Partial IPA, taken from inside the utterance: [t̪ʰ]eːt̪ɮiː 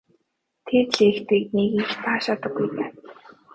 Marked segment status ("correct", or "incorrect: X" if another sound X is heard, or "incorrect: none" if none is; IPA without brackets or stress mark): correct